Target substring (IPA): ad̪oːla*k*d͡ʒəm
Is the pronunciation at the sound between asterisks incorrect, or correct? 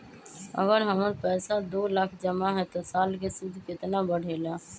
incorrect: kʰ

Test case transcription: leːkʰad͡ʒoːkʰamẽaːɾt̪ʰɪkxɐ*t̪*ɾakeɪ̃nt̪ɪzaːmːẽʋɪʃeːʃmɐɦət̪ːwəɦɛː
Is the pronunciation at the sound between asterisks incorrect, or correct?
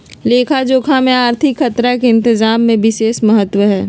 correct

